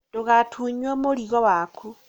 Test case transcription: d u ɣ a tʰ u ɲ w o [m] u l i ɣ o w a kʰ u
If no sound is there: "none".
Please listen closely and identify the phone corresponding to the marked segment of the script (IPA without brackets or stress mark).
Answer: m